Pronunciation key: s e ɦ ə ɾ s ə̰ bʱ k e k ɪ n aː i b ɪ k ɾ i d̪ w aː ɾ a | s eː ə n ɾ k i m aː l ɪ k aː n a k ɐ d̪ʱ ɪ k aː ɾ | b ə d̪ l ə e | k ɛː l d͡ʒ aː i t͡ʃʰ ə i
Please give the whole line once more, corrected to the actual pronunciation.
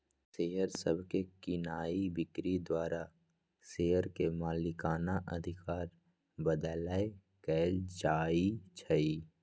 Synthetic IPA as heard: s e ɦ ə ɾ s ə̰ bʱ k e k ɪ n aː i b ɪ k ɾ i d̪ w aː ɾ a | s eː ə ɾ k e m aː l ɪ k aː n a ʔ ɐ d̪ʱ ɪ k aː ɾ | b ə d̪ l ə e | k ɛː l d͡ʒ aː i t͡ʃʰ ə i